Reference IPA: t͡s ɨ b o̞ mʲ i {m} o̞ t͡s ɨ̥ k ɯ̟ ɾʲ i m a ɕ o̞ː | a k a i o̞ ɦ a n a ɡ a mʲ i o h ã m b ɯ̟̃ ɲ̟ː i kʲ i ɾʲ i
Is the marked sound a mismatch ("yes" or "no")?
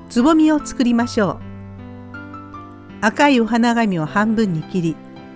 yes